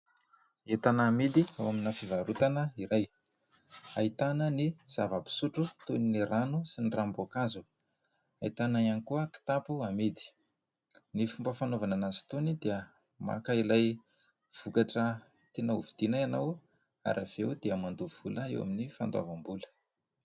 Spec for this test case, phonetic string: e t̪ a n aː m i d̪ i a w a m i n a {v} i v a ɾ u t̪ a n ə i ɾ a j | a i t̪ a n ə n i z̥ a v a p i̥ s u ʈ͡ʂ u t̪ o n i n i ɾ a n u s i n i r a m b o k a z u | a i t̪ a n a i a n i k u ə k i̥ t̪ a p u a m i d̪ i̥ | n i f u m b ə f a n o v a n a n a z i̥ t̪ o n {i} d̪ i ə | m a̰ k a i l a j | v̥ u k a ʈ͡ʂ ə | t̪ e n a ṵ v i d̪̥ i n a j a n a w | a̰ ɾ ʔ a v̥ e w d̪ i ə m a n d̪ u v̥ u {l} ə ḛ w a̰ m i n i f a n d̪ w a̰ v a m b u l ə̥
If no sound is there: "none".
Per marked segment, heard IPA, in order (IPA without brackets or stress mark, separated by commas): f, i, l